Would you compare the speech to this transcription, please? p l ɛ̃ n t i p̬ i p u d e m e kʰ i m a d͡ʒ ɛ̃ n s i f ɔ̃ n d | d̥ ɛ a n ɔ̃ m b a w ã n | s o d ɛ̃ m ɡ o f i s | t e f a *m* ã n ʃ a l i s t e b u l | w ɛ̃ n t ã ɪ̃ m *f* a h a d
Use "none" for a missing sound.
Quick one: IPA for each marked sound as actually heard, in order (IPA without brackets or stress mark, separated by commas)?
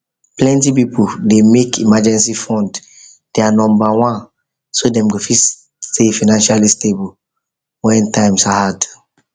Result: n, s